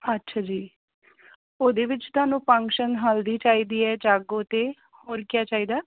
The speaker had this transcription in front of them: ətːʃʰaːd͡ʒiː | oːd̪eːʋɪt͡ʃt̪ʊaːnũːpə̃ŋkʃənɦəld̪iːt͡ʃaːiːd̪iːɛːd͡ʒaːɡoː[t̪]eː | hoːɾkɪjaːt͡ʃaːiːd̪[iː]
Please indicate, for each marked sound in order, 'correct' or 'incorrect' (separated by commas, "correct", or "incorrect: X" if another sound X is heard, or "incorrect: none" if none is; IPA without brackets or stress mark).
correct, incorrect: aː